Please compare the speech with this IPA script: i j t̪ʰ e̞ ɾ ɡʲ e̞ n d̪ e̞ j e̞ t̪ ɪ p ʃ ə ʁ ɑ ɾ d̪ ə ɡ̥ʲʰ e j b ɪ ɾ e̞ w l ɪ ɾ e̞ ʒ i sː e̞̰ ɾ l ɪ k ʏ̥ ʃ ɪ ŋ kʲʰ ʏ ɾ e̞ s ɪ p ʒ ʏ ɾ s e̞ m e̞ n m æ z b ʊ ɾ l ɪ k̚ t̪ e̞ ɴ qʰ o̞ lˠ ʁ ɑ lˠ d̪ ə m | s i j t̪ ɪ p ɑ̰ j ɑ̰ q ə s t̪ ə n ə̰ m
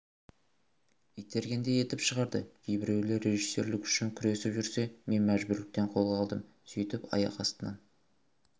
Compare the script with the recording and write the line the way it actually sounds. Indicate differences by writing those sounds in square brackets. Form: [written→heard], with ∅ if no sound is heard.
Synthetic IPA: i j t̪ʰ e̞ ɾ ɡʲ e̞ n d̪ e̞ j e̞ t̪ ɪ p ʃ ə ʁ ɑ ɾ d̪ ə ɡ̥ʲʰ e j b ɪ ɾ e̞ w l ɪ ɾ e̞ ʒ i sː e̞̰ ɾ l ɪ k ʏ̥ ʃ ɪ ŋ kʲʰ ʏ ɾ e̞ s ɪ p ʒ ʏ ɾ s e̞ m e̞ n m æ [z→ʒ] b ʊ ɾ l ɪ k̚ t̪ e̞ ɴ qʰ o̞ lˠ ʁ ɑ lˠ d̪ ə m | s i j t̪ ɪ p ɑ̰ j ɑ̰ q [ə→ɑ] s t̪ ə n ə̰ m